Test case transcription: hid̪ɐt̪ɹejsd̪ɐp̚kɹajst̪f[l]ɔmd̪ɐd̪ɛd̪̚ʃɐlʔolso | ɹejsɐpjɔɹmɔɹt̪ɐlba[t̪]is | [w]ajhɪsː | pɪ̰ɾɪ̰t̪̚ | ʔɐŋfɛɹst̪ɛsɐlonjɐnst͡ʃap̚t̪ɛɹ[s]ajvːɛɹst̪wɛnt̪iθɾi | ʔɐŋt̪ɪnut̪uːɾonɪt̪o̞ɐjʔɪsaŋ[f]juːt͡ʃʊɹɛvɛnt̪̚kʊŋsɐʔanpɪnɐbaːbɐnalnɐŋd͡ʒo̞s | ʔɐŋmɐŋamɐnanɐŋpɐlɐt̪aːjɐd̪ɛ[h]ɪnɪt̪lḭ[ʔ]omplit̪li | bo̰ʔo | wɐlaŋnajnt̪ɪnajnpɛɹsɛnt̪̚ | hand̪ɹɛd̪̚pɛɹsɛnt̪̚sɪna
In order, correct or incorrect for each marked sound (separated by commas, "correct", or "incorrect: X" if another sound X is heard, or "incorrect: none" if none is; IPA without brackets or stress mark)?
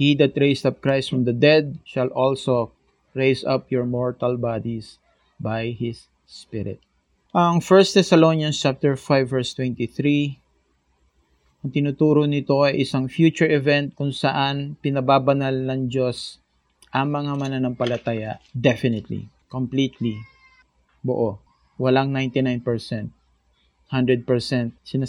incorrect: ɹ, incorrect: d̪, incorrect: b, incorrect: f, correct, incorrect: f, incorrect: k